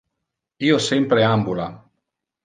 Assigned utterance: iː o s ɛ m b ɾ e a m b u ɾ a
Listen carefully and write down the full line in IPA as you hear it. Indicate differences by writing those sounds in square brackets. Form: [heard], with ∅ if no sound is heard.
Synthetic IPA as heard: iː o s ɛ m [p] ɾ e a m b u [l] a